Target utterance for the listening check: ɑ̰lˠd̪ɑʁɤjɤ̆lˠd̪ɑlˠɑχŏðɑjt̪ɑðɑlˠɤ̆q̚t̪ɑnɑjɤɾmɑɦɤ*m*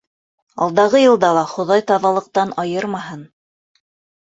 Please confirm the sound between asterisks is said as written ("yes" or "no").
no